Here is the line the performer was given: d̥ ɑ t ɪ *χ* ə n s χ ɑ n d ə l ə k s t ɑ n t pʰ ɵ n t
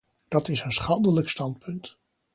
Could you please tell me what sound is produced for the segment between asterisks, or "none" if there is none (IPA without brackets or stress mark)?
s